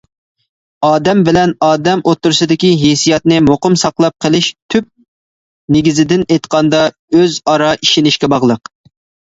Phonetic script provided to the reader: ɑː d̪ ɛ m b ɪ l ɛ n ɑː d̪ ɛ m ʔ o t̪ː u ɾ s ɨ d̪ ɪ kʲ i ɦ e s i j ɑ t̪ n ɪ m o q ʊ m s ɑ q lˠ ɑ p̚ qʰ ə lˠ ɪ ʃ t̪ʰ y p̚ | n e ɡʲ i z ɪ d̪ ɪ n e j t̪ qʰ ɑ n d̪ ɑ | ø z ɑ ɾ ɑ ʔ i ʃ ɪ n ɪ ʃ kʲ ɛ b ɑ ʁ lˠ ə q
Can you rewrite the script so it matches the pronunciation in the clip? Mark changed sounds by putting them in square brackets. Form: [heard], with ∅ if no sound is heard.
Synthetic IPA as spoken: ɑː d̪ ɛ m b ɪ l ɛ n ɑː d̪ ɛ m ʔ o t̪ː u ɾ s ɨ d̪ ɪ kʲ i ɦ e s i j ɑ t̪ n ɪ m o q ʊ m s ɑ q lˠ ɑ p̚ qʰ ə lˠ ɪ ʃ t̪ʰ y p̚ | n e ɡʲ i z ɪ d̪ ɪ n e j t̪ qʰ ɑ n d̪ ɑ | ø z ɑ ɾ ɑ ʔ i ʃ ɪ n ɪ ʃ kʲ ɛ b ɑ ʁ lˠ ə q

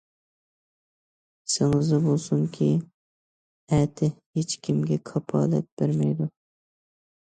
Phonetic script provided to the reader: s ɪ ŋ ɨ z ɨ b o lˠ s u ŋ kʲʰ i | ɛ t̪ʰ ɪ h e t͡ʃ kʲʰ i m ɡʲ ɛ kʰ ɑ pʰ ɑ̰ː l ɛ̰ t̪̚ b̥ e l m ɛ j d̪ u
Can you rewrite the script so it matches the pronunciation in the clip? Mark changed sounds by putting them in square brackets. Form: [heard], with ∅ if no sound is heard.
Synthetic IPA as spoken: s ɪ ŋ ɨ z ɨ b o lˠ s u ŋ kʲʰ i | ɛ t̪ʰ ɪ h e t͡ʃ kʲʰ i m ɡʲ ɛ kʰ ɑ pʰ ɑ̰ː l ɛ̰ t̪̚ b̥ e [ɾ] m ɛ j d̪ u

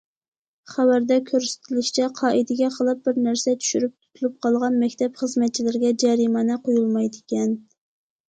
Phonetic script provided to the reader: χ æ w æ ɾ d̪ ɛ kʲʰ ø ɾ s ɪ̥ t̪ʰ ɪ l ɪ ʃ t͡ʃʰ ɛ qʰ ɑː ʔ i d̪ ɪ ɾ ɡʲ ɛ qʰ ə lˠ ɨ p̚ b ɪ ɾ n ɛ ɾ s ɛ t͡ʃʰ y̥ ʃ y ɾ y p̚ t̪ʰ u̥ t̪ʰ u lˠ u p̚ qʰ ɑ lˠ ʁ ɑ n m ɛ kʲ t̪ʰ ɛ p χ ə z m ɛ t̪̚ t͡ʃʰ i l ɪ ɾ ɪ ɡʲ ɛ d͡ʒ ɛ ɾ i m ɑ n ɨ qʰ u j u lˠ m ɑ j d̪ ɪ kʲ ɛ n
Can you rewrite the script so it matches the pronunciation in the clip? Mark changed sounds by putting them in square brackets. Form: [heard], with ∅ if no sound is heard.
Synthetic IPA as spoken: χ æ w æ ɾ d̪ ɛ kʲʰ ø ɾ s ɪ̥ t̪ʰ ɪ l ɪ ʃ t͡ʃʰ ɛ qʰ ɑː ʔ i d̪ ɪ [∅] ɡʲ ɛ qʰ ə lˠ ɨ p̚ b ɪ ɾ n [æ] ɾ s ɛ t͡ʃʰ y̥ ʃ y ɾ y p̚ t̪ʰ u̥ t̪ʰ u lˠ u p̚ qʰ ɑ lˠ ʁ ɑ n m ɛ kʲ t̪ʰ ɛ p χ ə z m ɛ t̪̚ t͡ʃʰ i l ɪ ɾ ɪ ɡʲ ɛ d͡ʒ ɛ ɾ i m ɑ n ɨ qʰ [o] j u lˠ m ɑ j d̪ ɪ kʲ ɛ n

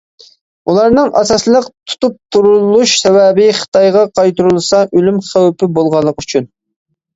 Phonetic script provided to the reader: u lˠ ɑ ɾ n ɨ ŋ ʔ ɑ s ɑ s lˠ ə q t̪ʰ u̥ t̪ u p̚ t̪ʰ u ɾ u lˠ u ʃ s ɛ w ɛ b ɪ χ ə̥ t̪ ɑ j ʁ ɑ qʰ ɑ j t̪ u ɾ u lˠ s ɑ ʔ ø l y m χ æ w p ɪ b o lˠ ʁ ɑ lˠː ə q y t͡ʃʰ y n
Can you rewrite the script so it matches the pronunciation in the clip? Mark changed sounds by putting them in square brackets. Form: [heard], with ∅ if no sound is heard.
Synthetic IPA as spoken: u lˠ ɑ ɾ n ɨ ŋ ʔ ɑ s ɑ s lˠ ə q t̪ʰ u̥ t̪ u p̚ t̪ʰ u ɾ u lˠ u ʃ s ɛ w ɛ b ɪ χ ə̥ t̪ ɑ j ʁ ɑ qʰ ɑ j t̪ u ɾ u lˠ s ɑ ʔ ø l y m χ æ w p ɪ b o lˠ ʁ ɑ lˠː ə q y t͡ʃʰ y n

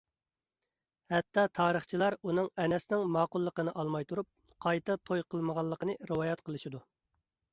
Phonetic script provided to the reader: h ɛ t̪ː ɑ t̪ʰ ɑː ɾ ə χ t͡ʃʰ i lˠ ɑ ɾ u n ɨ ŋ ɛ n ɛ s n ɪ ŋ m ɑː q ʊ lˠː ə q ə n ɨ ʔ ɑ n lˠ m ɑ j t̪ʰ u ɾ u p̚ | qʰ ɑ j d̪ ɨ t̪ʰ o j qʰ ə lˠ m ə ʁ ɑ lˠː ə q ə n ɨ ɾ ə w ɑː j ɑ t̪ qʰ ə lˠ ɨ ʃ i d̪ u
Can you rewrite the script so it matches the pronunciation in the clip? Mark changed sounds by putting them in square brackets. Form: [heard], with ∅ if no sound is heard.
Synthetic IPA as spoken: h ɛ t̪ː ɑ t̪ʰ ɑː ɾ ə χ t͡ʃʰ i lˠ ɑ ɾ u n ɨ ŋ ɛ n ɛ s n ɪ ŋ m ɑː q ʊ lˠː ə q ə n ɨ ʔ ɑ [∅] lˠ m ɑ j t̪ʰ u ɾ u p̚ | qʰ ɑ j [t̪] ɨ t̪ʰ o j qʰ ə lˠ m ə ʁ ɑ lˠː ə q ə n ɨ ɾ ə w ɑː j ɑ t̪ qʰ ə lˠ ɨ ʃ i d̪ u

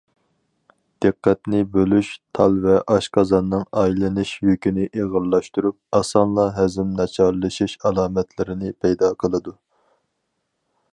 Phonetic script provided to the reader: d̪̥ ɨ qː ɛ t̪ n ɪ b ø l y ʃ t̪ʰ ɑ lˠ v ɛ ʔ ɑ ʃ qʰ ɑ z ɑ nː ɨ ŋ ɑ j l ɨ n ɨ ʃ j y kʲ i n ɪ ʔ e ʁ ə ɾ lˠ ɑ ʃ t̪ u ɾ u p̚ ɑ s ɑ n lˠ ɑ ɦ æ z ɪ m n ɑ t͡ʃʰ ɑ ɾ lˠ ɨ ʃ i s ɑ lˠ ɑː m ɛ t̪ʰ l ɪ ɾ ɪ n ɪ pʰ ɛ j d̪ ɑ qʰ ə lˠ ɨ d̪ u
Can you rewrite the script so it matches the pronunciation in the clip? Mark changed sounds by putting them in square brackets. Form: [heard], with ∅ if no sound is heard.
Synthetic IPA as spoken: d̪̥ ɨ qː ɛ t̪ n ɪ b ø l y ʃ t̪ʰ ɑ lˠ v ɛ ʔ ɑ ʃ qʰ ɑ z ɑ nː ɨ ŋ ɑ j l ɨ n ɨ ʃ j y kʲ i n ɪ ʔ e ʁ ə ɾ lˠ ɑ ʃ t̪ u ɾ u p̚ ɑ s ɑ n lˠ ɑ ɦ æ z ɪ m n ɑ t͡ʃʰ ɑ ɾ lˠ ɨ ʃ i [ʃ] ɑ lˠ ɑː m ɛ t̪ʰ l ɪ ɾ ɪ n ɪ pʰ ɛ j d̪ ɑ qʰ ə lˠ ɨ d̪ u

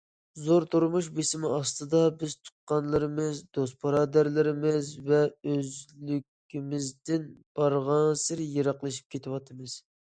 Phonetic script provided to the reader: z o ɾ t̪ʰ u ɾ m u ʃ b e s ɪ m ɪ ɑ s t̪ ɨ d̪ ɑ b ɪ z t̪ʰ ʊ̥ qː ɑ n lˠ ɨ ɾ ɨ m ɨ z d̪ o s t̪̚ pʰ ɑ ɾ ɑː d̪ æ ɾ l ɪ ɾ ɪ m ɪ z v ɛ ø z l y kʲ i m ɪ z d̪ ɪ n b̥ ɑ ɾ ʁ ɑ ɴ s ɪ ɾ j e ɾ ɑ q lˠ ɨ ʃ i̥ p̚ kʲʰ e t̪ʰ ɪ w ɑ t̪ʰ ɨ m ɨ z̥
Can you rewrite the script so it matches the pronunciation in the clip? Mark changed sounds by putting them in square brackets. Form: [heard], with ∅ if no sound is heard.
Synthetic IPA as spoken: z o ɾ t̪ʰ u ɾ m u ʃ b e s ɪ m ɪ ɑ s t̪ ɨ d̪ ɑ b ɪ z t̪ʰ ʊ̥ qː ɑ n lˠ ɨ ɾ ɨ m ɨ z d̪ o s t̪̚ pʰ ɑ ɾ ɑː d̪ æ ɾ l ɪ ɾ ɪ m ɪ z v ɛ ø z l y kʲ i m ɪ z d̪ ɪ n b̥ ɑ ɾ ʁ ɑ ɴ s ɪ ɾ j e ɾ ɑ q lˠ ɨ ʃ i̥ p̚ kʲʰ e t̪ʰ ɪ w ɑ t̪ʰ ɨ m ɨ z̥

